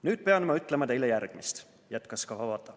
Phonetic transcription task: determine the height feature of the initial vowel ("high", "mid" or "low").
high